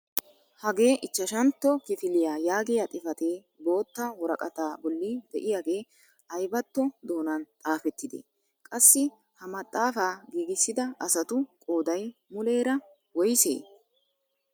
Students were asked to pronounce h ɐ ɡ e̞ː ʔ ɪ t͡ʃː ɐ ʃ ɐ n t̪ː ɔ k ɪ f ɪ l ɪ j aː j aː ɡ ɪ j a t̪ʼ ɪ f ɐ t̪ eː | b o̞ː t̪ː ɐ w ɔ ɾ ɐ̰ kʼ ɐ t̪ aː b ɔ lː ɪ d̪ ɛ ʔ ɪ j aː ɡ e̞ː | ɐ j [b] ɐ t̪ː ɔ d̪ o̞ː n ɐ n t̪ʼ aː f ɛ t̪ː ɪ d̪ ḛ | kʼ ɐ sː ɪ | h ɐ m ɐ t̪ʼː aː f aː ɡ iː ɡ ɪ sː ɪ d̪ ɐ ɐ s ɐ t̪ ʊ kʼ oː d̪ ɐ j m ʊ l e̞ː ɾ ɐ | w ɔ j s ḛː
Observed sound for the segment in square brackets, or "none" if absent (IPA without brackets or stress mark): b